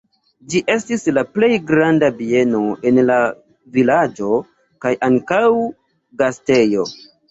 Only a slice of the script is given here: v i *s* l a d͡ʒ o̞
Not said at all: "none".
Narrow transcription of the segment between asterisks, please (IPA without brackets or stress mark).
none